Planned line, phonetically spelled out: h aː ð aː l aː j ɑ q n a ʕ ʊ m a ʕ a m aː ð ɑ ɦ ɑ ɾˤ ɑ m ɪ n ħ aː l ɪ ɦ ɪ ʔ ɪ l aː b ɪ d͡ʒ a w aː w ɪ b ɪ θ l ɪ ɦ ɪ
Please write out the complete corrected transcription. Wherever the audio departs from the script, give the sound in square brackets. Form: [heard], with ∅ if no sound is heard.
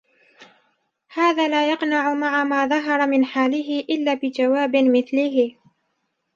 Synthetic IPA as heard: h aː ð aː l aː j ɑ q n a ʕ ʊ m a ʕ a m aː ð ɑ ɦ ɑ ɾˤ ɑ m ɪ n ħ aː l ɪ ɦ ɪ ʔ ɪ [lː] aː b ɪ d͡ʒ a w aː [b] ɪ [m] ɪ θ l ɪ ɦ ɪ